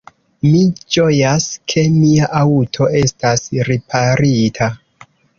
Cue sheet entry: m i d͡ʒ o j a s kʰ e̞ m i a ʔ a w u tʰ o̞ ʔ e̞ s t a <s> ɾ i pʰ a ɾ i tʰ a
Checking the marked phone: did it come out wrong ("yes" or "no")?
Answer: no